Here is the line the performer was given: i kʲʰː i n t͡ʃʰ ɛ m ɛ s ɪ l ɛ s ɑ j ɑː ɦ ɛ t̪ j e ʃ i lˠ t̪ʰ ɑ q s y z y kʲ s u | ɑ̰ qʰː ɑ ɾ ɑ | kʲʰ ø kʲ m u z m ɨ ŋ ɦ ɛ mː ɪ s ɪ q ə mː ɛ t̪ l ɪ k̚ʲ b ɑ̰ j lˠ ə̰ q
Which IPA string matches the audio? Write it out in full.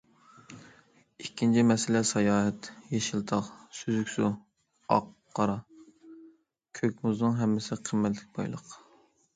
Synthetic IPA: i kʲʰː i n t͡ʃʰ i m ɛ s ɪ l ɛ s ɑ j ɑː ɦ ɛ t̪ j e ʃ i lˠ t̪ʰ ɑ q s y z y kʲ s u | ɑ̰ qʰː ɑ ɾ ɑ | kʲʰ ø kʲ m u z n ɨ ŋ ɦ ɛ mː ɪ s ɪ qʰ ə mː ɛ t̪ l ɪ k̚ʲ b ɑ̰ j lˠ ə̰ q